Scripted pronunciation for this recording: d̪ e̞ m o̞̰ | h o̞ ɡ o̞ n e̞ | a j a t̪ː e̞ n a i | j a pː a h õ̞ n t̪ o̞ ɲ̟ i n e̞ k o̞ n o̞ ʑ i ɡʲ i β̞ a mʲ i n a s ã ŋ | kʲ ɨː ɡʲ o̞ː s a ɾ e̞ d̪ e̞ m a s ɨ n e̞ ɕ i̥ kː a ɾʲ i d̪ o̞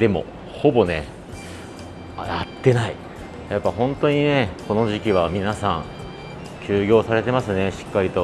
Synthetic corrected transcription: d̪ e̞ m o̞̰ | h o̞ b o̞ n e̞ | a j a t̪ː e̞ n a i | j a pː a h õ̞ n t̪ o̞ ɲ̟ i n e̞ k o̞ n o̞ ʑ i kʲ i β̞ a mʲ i n a s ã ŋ | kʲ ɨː ɡʲ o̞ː s a ɾ e̞ t̪ e̞ m a s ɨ n e̞ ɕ i̥ kː a ɾʲ i t̪ o̞